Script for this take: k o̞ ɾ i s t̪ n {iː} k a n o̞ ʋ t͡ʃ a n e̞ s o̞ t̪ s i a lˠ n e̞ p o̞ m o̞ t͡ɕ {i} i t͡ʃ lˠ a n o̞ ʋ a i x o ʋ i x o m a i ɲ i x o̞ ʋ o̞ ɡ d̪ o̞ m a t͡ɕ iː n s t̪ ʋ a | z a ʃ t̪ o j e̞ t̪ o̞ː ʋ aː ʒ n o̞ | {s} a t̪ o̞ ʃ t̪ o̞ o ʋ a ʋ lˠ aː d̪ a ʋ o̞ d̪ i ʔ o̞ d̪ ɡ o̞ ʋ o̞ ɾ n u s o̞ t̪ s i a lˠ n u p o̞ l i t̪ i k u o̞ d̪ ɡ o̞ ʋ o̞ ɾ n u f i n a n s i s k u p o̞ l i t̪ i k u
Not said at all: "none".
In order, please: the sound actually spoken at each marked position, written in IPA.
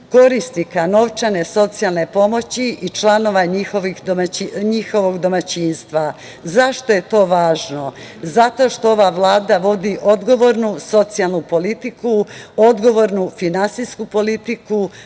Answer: i, i, z

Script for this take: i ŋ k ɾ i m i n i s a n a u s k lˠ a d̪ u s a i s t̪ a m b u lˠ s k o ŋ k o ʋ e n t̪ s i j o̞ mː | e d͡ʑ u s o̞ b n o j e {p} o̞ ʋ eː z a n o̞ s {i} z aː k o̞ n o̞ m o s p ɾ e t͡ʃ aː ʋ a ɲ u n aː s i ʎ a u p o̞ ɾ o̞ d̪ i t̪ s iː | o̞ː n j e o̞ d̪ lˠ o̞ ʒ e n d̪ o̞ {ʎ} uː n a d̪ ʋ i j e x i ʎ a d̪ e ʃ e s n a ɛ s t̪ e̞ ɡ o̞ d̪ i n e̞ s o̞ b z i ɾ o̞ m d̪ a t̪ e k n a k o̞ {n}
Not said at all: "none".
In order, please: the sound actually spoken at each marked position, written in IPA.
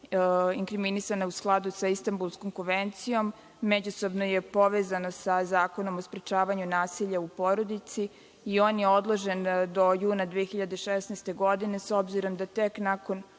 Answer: p, a, j, n

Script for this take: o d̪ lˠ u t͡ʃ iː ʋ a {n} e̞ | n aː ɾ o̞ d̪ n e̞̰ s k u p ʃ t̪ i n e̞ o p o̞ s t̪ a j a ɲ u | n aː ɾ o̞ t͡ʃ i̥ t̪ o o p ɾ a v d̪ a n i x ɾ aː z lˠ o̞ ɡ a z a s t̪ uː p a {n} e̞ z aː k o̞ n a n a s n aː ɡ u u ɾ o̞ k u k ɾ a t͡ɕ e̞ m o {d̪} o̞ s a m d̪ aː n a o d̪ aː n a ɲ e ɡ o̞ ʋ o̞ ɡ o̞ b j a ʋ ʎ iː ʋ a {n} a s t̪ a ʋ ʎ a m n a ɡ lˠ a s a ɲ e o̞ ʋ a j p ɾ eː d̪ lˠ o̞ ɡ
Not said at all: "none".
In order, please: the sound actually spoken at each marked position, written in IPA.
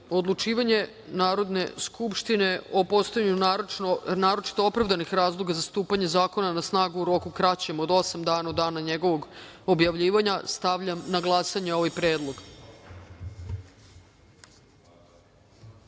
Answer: ɲ, ɲ, d̪, ɲ

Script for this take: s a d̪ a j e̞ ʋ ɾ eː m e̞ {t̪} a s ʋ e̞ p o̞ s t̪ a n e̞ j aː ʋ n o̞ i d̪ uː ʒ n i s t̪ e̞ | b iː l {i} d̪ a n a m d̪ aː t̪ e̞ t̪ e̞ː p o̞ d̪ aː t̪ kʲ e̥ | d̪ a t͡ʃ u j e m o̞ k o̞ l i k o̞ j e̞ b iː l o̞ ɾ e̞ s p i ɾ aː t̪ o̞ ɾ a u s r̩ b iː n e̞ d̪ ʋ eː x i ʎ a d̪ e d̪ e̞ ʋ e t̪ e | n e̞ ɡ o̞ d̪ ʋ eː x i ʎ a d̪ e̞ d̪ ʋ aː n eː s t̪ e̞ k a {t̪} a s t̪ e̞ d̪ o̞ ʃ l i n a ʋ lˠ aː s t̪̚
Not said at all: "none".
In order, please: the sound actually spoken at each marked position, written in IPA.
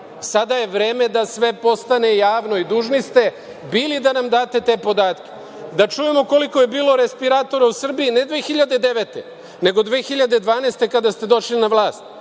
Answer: d̪, i, d̪

